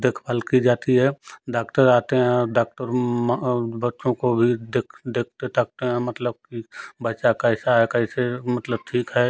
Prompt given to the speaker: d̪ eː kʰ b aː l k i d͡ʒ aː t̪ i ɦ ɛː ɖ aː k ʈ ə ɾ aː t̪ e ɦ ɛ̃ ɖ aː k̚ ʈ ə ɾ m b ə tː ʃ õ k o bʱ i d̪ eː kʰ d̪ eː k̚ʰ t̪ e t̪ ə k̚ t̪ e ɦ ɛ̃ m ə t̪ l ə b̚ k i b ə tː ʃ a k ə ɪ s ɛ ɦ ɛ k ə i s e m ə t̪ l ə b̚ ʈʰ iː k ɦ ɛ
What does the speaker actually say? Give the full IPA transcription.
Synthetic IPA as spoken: d̪ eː kʰ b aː l k i d͡ʒ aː t̪ i ɦ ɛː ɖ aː k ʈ ə ɾ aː t̪ e ɦ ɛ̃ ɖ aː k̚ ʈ ə ɾ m b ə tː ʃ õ k o bʱ i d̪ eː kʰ d̪ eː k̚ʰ t̪ e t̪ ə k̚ t̪ e ɦ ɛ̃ m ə t̪ l ə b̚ k i b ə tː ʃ a k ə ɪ s a ɦ ɛ k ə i s e m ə t̪ l ə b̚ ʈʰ iː k ɦ ɛ

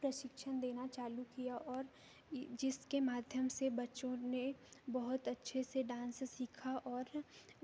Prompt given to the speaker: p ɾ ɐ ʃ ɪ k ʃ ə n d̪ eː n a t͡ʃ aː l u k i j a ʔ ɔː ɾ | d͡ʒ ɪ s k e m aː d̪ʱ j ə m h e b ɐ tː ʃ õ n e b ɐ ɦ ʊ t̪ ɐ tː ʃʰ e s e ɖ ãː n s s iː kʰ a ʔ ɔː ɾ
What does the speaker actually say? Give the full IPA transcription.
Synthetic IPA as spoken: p ɾ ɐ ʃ ɪ k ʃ ə n d̪ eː n a t͡ʃ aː l u k i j a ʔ ɔː ɾ | d͡ʒ ɪ s k e m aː d̪ʱ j ə m s e b ɐ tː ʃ õ n e b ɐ ɦ ʊ t̪ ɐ tː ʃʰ e s e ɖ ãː n s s iː kʰ a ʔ ɔː ɾ

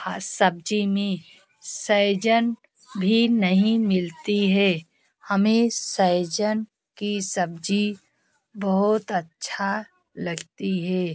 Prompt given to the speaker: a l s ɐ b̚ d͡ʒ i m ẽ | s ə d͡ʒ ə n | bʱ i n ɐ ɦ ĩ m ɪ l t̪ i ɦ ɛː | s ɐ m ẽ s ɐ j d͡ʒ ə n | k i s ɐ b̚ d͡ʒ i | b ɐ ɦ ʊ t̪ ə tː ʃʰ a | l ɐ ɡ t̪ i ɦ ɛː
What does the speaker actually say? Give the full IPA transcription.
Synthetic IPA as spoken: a s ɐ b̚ d͡ʒ i m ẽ | s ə d͡ʒ ə n | bʱ i n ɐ ɦ ĩ m ɪ l t̪ i ɦ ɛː | h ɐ m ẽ s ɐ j d͡ʒ ə n | k i s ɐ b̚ d͡ʒ i | b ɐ ɦ ʊ t̪ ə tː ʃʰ a | l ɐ ɡ t̪ i ɦ ɛː

